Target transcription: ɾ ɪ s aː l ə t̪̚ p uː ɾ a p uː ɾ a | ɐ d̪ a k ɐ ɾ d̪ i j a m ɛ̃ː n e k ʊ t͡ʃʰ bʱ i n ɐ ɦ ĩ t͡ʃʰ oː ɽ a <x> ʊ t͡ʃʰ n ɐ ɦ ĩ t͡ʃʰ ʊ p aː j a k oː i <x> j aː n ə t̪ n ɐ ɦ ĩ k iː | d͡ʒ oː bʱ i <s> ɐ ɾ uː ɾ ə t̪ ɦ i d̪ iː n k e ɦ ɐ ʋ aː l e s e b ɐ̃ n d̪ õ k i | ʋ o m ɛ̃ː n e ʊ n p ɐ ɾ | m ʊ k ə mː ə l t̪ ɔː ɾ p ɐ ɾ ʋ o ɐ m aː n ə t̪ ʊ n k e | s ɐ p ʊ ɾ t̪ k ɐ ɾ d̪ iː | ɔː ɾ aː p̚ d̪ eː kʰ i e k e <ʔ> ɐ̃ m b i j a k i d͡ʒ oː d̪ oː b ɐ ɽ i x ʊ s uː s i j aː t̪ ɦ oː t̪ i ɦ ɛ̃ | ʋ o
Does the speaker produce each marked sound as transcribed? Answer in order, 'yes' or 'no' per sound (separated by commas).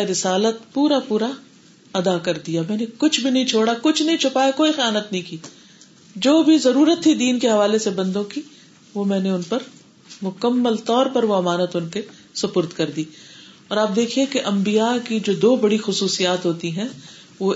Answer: no, yes, no, yes